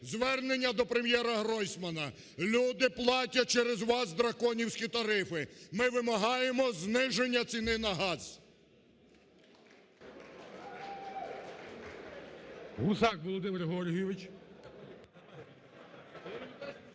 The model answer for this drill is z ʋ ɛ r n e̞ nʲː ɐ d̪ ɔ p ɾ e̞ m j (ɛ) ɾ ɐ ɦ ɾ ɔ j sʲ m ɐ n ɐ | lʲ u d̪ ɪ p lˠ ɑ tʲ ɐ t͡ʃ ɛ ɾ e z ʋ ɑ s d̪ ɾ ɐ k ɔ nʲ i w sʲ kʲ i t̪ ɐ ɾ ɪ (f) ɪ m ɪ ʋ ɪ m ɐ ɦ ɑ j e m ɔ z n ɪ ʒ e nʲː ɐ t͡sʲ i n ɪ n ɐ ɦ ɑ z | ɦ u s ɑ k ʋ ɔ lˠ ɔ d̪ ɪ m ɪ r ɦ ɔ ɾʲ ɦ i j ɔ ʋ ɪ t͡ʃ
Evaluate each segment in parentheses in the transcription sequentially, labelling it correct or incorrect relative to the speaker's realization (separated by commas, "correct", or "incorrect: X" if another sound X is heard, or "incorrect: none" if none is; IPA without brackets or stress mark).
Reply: correct, correct